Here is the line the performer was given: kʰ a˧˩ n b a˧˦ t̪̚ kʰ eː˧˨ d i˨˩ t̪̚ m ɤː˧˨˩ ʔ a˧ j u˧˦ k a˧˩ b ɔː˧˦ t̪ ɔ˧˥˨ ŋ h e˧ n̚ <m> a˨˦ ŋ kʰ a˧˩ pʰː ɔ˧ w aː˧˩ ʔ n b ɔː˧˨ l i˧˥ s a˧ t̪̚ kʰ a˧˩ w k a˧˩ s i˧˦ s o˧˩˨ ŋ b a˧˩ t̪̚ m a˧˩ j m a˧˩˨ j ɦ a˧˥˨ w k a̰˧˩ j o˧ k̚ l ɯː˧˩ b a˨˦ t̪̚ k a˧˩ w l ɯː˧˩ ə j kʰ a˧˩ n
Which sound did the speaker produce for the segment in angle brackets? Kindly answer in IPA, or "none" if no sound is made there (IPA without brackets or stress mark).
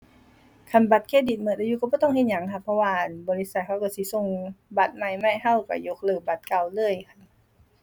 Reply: ɲ